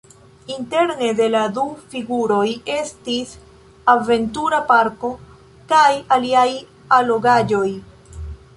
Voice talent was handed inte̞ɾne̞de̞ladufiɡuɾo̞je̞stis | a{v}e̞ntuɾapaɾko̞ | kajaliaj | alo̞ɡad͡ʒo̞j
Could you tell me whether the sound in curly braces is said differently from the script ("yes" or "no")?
no